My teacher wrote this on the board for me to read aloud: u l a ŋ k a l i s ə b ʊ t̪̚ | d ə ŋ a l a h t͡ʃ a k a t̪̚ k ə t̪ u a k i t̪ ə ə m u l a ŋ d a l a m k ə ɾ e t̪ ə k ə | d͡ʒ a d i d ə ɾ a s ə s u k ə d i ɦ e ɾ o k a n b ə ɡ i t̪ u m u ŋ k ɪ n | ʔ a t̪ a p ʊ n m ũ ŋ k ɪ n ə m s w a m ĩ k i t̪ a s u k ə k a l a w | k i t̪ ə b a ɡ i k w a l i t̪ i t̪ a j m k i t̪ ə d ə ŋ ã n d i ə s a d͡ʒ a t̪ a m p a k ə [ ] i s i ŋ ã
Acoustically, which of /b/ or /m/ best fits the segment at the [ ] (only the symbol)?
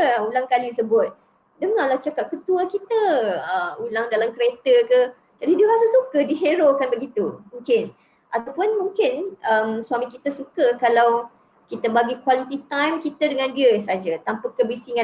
b